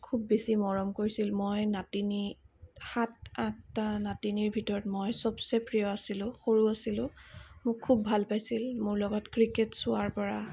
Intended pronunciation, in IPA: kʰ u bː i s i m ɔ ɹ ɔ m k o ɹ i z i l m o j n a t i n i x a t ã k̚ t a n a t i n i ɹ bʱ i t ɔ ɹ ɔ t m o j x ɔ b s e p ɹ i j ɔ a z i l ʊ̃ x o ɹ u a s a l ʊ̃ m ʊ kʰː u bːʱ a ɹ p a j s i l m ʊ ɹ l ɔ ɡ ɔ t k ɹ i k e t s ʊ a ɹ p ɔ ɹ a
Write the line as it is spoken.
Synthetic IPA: kʰ u bː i s i m ɔ ɹ ɔ m k o ɹ i s i l m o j n a t i n i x a t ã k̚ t a n a t i n i ɹ bʱ i t ɔ ɹ ɔ t m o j s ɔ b s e p ɹ i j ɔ a s i l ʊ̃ x o ɹ u a s i l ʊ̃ m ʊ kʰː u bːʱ a l p a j s i l m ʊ ɹ l ɔ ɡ ɔ t k ɹ i k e t s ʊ a ɹ p ɔ ɹ a